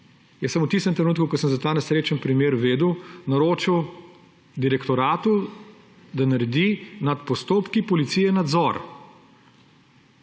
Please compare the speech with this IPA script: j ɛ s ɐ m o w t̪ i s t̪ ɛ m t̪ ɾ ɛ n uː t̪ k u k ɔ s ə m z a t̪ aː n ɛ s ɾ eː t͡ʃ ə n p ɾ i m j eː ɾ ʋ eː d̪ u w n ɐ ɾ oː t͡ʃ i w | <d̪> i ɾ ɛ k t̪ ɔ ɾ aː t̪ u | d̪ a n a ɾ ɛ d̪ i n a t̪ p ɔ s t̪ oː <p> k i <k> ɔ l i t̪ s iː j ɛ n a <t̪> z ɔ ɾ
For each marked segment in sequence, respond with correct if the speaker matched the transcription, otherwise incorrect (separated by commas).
correct, correct, incorrect, incorrect